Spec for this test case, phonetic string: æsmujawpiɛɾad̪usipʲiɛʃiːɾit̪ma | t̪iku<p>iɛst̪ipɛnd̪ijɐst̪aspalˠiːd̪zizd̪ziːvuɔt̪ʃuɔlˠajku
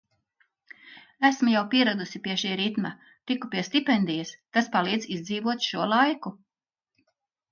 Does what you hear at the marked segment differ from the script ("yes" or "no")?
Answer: no